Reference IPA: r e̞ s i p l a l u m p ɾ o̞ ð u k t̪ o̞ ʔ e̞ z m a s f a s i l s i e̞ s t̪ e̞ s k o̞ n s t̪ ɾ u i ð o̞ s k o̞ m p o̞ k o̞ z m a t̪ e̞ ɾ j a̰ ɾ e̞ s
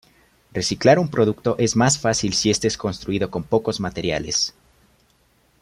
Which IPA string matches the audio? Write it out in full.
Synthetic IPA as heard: r e̞ s i k l a ɾ u m p ɾ o̞ ð u k t̪ o̞ ʔ e̞ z m a s f a s i l s i e̞ s t̪ e̞ s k o̞ n s t̪ ɾ u i ð o̞ k o̞ m p o̞ k o̞ z m a t̪ e̞ ɾ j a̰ l e̞ s